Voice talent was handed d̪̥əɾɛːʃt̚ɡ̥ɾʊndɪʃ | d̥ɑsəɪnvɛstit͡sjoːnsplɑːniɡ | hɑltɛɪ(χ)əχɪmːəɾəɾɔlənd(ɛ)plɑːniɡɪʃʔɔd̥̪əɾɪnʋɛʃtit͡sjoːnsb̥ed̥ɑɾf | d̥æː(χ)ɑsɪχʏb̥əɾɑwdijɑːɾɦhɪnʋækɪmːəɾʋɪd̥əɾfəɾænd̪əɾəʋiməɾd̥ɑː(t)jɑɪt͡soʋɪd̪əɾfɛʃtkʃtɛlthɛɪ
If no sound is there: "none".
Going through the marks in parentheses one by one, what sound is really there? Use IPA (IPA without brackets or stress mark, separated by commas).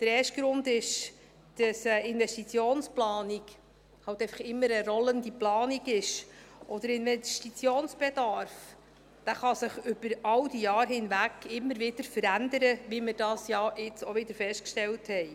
f, i, χ, s